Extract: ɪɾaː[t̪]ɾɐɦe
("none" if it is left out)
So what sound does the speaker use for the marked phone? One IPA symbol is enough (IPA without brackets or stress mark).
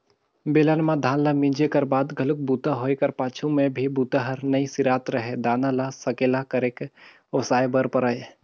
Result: t̪